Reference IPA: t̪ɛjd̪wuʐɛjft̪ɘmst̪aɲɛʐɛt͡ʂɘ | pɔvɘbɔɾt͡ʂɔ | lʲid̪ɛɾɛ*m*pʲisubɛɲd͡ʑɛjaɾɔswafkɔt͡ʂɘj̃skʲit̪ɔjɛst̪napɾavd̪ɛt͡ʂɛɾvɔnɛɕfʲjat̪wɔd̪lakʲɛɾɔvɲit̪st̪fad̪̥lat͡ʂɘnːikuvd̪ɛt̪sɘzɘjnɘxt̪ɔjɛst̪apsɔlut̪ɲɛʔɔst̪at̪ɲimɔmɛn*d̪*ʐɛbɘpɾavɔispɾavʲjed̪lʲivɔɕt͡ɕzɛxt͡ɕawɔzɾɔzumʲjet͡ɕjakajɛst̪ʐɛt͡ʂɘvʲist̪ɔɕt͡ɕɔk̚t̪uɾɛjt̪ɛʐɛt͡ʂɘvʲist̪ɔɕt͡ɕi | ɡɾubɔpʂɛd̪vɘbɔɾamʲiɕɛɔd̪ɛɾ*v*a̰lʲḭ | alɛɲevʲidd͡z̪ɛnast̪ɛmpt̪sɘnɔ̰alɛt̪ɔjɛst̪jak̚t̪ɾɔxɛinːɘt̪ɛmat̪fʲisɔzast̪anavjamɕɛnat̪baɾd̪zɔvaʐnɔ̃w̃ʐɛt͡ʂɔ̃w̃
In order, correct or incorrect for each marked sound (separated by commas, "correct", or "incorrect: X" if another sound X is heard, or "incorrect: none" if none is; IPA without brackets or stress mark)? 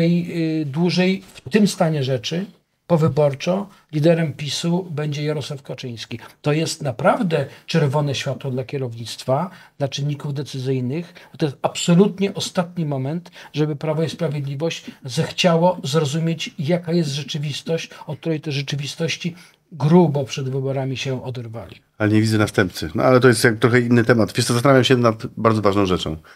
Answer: correct, incorrect: t̪, correct